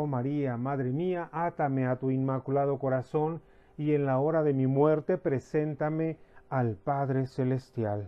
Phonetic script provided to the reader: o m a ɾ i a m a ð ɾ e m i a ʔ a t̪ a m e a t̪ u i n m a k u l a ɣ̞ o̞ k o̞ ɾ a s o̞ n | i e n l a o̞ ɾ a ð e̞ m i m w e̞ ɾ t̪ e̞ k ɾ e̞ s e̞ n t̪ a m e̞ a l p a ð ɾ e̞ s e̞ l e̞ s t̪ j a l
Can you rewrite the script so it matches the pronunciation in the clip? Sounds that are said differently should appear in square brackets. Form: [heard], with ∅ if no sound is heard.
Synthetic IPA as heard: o m a ɾ i a m a ð ɾ e m i a ʔ a t̪ a m e a t̪ u i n m a k u l a [ð̞] o̞ k o̞ ɾ a s o̞ n | i e n l a o̞ ɾ a ð e̞ m i m w e̞ ɾ t̪ e̞ [p] ɾ e̞ s e̞ n t̪ a m e̞ a l p a ð ɾ e̞ s e̞ l e̞ s t̪ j a l